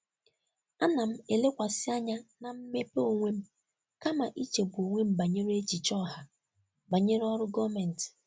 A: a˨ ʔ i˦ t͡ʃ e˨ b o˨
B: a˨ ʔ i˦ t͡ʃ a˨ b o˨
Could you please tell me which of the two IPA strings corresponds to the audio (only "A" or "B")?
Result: A